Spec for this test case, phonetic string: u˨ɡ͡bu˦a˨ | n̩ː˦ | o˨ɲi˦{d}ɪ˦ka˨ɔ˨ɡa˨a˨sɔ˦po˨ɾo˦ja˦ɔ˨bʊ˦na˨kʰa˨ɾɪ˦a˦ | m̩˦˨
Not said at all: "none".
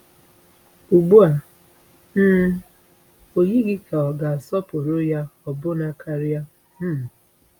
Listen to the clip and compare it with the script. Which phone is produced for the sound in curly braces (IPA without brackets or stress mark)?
ɡ